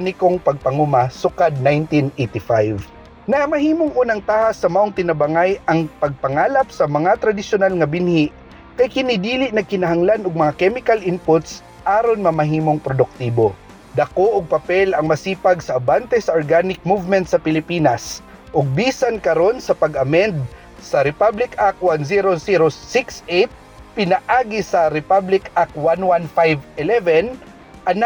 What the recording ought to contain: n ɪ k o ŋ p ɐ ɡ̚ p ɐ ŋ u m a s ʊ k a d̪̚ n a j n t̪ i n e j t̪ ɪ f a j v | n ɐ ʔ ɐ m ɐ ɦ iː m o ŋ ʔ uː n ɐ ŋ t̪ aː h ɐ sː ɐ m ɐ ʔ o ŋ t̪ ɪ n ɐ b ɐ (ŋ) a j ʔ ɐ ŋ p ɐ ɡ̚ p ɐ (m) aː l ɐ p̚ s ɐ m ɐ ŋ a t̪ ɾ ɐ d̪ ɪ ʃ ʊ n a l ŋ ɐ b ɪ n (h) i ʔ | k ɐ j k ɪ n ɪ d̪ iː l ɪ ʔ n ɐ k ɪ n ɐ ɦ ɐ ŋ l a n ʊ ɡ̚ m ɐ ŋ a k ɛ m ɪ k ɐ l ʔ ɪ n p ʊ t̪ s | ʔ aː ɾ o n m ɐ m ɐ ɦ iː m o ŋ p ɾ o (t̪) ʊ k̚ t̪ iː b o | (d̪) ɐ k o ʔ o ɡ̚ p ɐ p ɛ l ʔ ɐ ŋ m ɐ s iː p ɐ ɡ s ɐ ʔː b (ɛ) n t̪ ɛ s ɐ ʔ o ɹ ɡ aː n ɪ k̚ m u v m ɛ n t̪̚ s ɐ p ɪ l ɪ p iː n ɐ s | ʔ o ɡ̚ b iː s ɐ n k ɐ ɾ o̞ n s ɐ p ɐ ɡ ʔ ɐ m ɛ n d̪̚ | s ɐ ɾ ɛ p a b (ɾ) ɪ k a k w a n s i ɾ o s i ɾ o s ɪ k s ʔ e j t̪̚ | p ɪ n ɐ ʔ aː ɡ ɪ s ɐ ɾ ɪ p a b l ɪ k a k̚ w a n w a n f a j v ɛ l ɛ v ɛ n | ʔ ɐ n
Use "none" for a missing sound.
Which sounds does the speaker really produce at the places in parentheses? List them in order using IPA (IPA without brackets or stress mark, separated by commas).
ŋ, ŋ, h, d̪, d̪, a, l